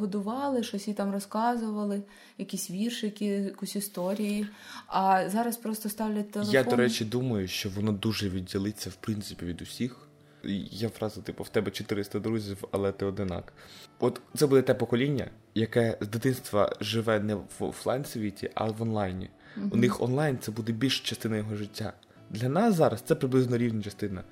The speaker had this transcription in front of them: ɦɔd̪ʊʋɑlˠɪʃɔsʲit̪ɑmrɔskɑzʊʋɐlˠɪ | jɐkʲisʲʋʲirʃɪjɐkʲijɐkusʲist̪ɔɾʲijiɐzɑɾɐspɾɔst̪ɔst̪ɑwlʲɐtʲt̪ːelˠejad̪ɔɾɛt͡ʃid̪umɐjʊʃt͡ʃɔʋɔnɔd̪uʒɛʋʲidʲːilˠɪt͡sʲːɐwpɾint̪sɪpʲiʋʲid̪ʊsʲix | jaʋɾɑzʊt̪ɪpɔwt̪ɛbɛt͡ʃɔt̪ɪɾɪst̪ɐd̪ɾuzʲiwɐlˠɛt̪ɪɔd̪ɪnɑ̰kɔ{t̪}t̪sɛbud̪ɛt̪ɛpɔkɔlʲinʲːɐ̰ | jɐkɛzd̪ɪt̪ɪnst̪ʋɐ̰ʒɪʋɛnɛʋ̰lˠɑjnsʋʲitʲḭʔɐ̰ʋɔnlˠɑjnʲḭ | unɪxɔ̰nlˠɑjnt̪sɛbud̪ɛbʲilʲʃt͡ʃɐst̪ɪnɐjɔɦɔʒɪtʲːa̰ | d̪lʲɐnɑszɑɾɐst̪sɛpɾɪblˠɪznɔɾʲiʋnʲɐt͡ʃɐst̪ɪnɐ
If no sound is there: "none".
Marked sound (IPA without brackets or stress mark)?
t̪